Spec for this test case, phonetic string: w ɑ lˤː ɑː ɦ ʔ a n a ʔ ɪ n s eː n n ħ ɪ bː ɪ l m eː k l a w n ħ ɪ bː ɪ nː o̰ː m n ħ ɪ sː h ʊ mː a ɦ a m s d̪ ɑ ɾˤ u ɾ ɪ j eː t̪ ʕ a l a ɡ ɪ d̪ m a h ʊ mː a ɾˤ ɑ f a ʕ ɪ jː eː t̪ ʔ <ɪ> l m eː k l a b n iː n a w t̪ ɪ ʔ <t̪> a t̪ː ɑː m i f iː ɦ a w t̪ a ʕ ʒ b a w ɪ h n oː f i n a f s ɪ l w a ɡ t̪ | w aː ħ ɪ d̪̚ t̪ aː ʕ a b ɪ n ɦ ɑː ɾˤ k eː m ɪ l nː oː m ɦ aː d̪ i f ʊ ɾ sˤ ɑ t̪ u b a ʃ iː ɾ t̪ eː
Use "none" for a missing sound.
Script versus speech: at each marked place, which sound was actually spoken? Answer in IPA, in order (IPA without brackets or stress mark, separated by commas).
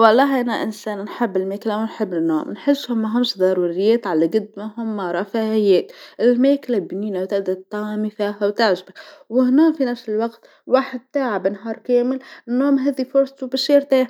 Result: ɪ, d̪